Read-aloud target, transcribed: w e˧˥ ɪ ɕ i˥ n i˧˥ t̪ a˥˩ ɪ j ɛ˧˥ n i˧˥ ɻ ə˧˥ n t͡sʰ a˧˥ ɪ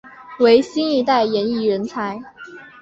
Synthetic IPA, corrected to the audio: w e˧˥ ɪ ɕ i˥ n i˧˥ t̪ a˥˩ ɪ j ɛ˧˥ n i˥˩ ɻ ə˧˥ n t͡sʰ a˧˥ ɪ